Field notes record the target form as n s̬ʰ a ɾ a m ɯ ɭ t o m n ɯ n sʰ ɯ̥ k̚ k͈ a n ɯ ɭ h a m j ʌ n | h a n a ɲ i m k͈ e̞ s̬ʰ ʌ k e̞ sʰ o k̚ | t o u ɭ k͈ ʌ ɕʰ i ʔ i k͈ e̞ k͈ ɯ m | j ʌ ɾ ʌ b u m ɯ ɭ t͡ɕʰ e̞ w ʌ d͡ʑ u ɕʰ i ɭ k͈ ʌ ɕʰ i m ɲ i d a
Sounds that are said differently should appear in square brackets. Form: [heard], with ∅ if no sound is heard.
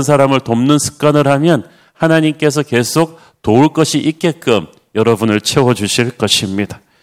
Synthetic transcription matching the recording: n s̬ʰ a ɾ a m ɯ ɭ t o m n ɯ n sʰ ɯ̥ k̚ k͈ a n ɯ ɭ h a m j ʌ n | h a n a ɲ i m k͈ e̞ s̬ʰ ʌ k e̞ sʰ o k̚ | t o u ɭ k͈ ʌ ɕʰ i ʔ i k͈ e̞ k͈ ɯ m | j ʌ ɾ ʌ b u [n] ɯ ɭ t͡ɕʰ e̞ w ʌ d͡ʑ u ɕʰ i ɭ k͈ ʌ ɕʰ i m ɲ i d a